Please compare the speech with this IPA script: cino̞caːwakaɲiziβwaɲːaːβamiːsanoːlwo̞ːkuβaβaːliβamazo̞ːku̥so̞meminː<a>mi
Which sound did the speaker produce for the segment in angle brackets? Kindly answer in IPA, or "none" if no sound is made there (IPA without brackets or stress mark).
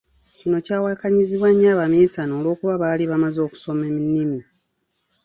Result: i